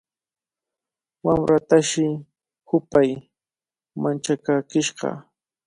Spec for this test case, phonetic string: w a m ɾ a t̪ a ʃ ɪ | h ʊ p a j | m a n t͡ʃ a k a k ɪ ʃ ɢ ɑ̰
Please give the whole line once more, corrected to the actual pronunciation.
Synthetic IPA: w a m ɾ a t̪ a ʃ ɪ | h ʊ p a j | m a n t͡ʃ a k a k ɪ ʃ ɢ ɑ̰